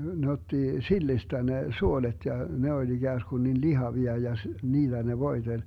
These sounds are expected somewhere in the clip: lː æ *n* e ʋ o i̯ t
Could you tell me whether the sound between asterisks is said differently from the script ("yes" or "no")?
no